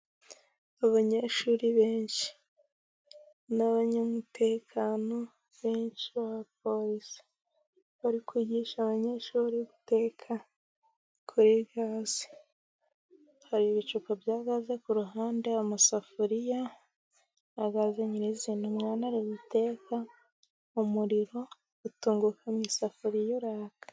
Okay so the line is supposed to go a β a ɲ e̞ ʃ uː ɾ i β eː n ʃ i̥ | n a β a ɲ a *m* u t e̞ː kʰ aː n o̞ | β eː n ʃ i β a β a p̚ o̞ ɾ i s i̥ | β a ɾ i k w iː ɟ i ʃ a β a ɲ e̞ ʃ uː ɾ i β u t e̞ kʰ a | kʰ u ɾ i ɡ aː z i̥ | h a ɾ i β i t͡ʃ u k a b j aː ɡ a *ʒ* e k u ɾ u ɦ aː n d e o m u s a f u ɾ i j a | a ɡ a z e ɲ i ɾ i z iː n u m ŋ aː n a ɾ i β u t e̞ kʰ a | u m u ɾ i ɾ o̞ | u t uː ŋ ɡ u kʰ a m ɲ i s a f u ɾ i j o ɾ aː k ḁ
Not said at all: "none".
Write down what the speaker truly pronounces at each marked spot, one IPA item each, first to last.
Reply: m, z

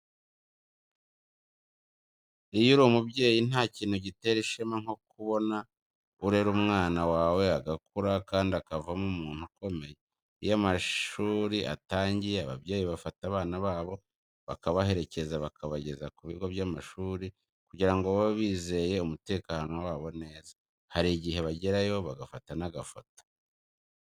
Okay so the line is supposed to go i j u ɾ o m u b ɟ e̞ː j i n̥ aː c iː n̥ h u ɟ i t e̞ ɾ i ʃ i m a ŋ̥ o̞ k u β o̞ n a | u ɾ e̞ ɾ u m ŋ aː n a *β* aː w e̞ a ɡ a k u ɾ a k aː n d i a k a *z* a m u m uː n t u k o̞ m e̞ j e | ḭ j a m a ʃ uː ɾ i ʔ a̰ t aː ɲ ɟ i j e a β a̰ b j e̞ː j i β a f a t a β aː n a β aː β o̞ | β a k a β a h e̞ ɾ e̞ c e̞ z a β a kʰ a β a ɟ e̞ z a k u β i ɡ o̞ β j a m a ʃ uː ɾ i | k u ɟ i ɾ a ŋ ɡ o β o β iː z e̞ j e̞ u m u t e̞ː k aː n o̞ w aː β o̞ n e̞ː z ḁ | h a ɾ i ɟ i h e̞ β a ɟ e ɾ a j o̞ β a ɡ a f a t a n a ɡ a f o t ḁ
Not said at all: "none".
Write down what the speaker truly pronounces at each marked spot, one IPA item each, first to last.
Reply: w, v

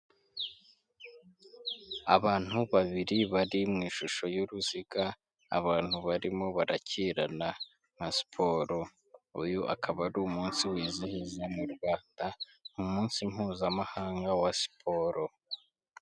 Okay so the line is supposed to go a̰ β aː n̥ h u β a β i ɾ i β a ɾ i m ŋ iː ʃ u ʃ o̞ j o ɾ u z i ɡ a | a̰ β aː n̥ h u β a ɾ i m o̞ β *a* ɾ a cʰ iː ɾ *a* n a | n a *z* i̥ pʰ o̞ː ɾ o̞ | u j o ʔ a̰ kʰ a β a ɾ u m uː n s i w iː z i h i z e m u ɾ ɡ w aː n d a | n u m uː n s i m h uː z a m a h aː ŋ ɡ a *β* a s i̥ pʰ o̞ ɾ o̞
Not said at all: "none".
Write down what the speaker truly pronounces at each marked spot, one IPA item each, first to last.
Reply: a, a, s, w

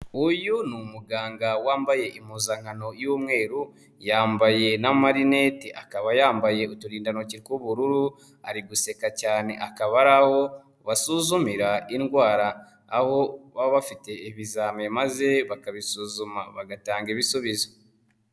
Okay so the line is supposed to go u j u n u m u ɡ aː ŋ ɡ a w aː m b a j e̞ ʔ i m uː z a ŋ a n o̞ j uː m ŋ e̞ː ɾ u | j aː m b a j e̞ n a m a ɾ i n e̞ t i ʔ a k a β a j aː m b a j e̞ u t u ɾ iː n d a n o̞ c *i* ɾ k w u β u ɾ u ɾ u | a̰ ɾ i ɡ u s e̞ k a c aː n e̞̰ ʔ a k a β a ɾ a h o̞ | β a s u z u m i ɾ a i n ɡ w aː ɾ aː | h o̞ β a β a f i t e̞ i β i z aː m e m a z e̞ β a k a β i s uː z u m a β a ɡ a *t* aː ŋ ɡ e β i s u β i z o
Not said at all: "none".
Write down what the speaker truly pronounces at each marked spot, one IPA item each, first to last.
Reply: i, t

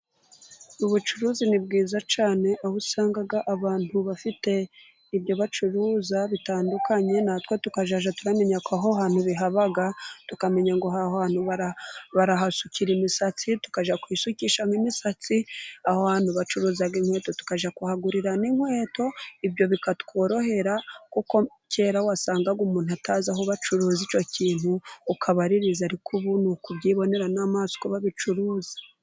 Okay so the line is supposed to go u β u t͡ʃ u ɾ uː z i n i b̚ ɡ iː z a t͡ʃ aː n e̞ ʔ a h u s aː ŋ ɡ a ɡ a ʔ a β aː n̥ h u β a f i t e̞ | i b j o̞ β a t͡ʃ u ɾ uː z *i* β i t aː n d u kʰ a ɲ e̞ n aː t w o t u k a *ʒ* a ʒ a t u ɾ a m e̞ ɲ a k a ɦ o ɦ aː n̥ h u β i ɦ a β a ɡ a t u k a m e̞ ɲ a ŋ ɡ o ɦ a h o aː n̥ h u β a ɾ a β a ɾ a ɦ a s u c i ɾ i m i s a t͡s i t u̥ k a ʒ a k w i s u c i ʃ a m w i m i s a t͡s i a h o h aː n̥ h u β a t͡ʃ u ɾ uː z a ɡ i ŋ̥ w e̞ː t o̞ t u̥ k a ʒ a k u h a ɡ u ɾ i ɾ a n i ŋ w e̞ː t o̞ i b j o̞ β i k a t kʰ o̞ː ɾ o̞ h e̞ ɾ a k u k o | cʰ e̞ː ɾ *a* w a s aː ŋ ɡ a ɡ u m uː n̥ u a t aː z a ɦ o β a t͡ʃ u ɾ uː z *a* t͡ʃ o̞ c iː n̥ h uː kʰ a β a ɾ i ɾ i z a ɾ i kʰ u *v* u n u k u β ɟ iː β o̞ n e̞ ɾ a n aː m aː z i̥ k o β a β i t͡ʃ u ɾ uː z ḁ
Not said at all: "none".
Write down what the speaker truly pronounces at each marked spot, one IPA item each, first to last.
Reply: a, ʒ, a, i, β

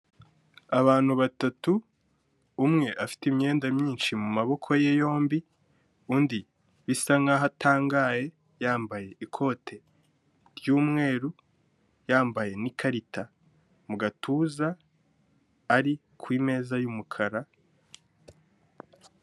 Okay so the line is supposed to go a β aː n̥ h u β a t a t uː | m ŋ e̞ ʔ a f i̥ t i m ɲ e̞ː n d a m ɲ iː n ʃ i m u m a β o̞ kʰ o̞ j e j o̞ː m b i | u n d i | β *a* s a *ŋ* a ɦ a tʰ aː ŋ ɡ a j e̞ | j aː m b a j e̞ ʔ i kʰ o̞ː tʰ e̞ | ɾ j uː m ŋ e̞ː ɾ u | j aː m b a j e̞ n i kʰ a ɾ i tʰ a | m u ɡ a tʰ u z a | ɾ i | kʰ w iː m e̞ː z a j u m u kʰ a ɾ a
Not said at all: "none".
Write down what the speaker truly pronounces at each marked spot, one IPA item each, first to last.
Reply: i, ŋ

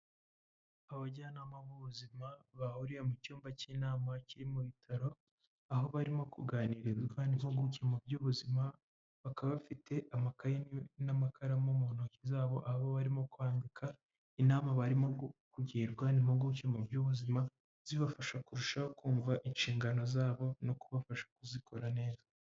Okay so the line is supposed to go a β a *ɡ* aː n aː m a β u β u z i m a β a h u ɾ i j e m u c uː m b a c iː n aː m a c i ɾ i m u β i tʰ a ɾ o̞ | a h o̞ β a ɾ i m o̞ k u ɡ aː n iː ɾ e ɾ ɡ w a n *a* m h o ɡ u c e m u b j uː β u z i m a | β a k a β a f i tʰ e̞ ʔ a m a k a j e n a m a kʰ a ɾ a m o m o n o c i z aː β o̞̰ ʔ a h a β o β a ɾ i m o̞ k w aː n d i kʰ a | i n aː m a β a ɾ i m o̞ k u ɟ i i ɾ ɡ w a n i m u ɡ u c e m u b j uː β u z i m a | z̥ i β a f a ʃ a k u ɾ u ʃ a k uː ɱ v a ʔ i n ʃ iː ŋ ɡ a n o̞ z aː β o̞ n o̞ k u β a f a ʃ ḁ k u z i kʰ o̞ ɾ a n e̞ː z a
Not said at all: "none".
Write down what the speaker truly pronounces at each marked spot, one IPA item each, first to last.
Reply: ɟ, i

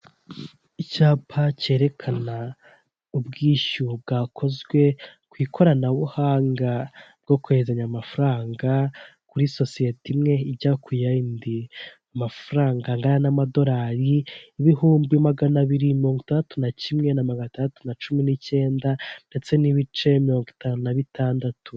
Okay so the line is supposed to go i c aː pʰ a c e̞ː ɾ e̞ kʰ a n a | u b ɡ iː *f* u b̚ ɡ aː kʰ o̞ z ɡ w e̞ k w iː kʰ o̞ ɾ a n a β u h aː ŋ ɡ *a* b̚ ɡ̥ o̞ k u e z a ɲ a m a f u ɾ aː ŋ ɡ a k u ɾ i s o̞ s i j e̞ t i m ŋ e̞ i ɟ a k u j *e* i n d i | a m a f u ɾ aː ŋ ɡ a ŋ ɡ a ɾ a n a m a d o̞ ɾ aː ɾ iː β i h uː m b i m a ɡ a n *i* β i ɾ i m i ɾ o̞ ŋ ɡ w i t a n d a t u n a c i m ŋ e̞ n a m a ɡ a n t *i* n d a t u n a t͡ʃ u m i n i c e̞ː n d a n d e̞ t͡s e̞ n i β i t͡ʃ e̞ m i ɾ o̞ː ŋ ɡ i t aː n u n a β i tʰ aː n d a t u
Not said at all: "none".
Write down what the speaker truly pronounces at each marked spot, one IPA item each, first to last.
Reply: ʃ, a, a, a, a

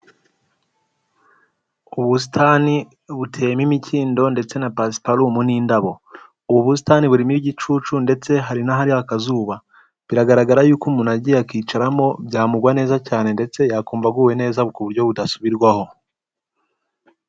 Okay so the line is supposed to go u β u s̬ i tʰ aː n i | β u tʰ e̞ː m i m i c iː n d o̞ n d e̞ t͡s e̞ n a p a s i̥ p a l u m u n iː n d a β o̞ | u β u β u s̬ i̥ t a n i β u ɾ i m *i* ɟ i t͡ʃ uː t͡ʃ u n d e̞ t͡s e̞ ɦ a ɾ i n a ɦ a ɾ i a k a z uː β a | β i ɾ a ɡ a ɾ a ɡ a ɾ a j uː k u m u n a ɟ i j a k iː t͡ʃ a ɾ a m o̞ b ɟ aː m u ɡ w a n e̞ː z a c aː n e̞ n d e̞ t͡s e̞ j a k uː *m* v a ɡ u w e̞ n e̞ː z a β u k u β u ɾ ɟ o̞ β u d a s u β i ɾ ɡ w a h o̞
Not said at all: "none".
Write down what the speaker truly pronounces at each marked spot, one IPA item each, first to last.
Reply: i, m

